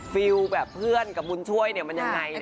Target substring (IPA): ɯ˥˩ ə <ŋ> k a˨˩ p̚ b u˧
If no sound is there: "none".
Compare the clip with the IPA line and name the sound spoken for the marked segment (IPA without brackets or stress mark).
n